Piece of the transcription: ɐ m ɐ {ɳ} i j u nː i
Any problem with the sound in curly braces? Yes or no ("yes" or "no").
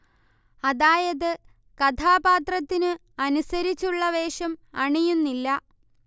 no